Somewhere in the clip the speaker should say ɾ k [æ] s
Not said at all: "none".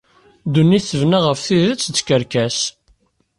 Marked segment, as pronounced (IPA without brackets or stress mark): æ